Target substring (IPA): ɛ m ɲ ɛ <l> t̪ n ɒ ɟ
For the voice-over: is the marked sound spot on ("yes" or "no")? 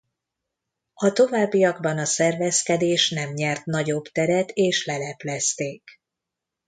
no